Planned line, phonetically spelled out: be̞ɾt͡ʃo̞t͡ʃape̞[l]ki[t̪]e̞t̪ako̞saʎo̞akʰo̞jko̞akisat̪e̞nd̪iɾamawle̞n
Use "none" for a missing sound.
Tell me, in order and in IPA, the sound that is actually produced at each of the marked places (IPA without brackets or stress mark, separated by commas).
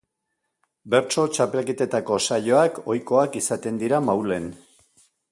l, t̪